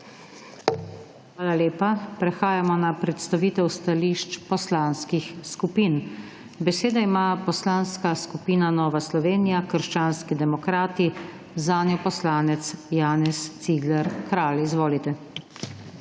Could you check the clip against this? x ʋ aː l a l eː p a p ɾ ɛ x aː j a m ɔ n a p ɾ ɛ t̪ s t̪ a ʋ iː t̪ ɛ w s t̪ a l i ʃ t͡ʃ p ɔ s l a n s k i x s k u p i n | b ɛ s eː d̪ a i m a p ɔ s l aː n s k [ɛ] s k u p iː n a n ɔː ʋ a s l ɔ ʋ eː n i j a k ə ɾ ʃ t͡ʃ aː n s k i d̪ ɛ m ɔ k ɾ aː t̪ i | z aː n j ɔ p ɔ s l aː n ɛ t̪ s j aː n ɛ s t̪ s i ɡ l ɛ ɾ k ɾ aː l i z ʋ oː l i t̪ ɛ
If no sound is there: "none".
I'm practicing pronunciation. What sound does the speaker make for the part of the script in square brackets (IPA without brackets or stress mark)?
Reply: a